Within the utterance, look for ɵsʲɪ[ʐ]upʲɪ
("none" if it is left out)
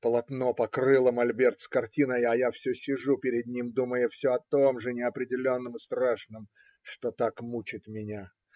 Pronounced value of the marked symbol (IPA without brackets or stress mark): ʐ